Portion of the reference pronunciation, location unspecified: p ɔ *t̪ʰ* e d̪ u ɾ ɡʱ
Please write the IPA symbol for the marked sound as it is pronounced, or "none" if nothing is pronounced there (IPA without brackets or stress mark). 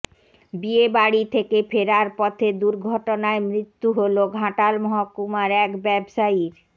t̪ʰ